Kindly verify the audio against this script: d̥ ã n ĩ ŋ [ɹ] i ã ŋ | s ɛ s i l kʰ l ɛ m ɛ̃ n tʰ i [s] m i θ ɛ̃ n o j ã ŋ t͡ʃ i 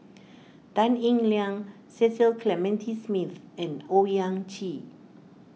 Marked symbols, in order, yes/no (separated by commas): no, yes